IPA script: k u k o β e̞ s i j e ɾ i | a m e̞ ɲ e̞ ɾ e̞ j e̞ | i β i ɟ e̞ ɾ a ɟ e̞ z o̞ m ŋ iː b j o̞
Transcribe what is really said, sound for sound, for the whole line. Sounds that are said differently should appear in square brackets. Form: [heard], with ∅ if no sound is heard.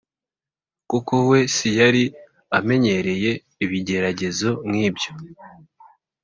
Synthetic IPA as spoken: k u k o [w] e̞ s i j [a] ɾ i | a m e̞ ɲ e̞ ɾ e̞ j e̞ | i β i ɟ e̞ ɾ a ɟ e̞ z o̞ m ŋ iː b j o̞